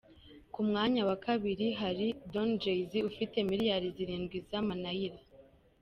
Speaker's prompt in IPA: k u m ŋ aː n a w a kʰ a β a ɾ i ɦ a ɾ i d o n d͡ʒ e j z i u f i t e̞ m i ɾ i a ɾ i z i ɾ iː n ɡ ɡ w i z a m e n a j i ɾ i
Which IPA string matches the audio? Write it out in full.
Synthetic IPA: k u m ŋ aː ɲ a w a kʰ a β i ɾ i ɦ a ɾ i d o n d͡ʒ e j z i u f i t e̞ m i ɾ j a ɾ i z i ɾ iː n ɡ ɡ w i z a m a n a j i ɾ a